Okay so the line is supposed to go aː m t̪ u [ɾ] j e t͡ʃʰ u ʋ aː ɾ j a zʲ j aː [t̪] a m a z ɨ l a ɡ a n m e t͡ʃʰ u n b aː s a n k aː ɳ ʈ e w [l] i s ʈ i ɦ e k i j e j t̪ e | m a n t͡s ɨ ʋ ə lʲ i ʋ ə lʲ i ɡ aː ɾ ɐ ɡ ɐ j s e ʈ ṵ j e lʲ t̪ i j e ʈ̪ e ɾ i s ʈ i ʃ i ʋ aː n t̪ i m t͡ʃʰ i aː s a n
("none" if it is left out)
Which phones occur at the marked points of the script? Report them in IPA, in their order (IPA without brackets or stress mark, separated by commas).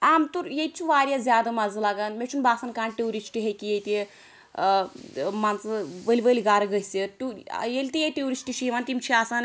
ɾ, d̪, ɾ